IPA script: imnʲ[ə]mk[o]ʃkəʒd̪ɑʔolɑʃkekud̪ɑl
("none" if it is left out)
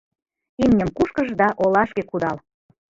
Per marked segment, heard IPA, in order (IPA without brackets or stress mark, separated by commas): ə, u